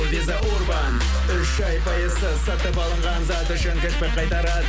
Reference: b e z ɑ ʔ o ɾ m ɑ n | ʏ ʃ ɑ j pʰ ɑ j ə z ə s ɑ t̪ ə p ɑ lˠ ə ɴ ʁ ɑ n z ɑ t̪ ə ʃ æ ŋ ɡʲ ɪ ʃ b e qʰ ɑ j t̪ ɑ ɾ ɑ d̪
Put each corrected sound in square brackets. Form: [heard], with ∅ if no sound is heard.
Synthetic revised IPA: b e z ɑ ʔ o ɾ [b] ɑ n | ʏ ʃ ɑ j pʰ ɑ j ə z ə s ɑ t̪ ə p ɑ lˠ ə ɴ ʁ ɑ n z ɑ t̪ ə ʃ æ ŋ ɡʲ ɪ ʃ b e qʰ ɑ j t̪ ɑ ɾ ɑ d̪